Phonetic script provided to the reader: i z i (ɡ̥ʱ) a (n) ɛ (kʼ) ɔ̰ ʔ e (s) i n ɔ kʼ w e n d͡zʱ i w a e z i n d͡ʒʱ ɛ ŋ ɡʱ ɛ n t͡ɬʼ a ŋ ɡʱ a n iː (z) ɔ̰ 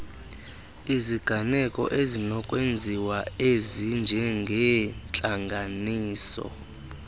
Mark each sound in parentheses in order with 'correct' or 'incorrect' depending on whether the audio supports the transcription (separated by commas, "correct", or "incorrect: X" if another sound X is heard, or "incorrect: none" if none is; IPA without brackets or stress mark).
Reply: correct, correct, correct, incorrect: z, incorrect: s